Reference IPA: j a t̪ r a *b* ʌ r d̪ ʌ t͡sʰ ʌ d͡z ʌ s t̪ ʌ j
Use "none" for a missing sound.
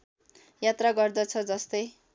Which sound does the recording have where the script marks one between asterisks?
ɡ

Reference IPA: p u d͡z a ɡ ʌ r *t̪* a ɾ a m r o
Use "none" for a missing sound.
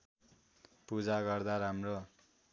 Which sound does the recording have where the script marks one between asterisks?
d̪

